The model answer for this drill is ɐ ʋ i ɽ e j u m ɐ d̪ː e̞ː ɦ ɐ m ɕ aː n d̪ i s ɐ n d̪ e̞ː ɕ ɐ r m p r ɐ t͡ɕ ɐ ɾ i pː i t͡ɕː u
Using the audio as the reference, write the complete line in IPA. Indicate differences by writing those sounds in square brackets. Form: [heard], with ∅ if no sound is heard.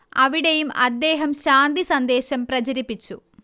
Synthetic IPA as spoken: ɐ ʋ i ɽ e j u m ɐ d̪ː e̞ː ɦ ɐ m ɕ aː n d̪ i s ɐ n d̪ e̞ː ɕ ɐ [∅] m p r ɐ t͡ɕ ɐ ɾ i pː i t͡ɕː u